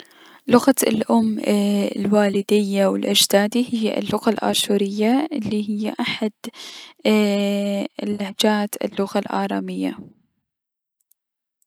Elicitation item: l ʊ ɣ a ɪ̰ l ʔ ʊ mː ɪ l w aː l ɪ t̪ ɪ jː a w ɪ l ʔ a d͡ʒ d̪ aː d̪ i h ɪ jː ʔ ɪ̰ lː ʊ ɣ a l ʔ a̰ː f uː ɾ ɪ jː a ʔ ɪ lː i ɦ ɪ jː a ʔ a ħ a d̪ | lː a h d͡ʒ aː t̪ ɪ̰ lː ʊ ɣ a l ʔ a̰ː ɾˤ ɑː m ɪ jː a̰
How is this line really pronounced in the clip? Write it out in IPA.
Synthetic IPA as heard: l ʊ ɣ a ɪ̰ l ʔ ʊ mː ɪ l w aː l ɪ d̪ ɪ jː a w ɪ l ʔ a d͡ʒ d̪ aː d̪ i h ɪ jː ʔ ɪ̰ lː ʊ ɣ a l ʔ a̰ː ʃ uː ɾ ɪ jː a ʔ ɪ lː i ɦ ɪ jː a ʔ a ħ a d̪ | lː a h d͡ʒ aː t̪ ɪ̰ lː ʊ ɣ a l ʔ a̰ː ɾˤ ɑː m ɪ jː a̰